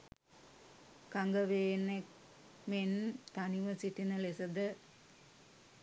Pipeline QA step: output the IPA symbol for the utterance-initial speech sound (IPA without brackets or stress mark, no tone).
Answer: k